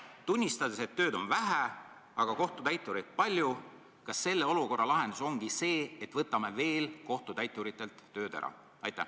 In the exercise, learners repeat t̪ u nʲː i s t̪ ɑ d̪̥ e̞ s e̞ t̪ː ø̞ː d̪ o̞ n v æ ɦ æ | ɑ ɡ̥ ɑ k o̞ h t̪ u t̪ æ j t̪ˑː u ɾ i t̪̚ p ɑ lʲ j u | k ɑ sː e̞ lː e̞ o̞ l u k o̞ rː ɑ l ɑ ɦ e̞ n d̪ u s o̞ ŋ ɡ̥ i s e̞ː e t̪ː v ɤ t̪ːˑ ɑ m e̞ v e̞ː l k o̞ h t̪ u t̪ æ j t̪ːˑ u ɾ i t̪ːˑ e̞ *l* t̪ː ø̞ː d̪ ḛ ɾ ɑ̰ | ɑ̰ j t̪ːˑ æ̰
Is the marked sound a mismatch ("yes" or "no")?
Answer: no